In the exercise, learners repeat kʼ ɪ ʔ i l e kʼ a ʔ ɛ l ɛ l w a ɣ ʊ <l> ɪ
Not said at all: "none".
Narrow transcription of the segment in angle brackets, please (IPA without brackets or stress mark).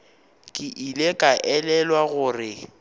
r